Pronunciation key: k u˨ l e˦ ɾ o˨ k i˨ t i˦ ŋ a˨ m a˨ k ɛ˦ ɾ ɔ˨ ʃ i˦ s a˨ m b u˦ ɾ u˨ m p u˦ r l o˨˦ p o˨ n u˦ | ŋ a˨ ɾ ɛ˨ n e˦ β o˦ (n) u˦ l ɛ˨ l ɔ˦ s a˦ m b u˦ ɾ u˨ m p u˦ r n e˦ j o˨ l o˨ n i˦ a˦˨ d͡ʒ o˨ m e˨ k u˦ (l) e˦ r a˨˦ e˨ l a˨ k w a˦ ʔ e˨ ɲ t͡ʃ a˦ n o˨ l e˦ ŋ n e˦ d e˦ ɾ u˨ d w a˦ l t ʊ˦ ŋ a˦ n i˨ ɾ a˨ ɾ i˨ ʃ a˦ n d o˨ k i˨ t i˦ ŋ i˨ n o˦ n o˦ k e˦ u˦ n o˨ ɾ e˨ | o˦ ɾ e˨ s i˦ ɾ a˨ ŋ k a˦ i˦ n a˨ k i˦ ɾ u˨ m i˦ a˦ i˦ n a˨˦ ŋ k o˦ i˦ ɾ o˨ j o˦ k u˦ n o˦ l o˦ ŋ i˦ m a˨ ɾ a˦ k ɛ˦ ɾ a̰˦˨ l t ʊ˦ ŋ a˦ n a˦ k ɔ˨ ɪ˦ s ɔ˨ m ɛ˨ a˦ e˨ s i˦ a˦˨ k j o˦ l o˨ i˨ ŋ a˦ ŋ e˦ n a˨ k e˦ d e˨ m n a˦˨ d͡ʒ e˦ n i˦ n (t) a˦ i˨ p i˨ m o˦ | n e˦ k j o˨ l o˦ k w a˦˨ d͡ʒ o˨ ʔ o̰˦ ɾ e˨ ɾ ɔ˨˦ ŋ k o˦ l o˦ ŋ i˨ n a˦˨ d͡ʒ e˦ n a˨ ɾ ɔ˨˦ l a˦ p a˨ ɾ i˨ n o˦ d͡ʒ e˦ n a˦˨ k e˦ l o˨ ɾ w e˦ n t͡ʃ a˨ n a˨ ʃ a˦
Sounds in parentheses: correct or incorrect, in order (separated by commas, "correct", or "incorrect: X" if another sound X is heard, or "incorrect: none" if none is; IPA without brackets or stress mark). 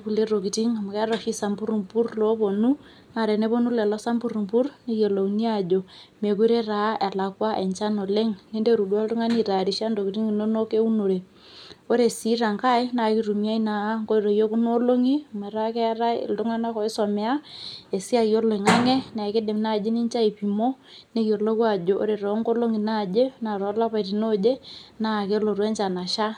correct, incorrect: ɾ, incorrect: t͡ʃ